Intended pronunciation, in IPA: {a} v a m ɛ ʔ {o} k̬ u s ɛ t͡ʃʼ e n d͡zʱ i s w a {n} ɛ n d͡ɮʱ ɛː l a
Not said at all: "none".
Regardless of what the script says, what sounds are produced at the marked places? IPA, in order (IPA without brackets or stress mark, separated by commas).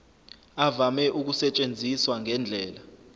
a, u, ŋ